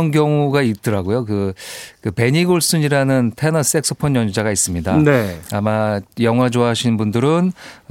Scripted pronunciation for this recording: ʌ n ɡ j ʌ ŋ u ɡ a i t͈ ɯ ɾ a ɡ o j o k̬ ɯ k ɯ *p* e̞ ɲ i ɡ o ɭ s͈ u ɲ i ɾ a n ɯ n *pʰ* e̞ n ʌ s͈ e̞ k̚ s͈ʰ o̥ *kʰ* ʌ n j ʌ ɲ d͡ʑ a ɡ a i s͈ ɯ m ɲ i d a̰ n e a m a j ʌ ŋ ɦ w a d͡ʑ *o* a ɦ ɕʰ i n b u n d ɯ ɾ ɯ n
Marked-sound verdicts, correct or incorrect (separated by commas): correct, incorrect, incorrect, correct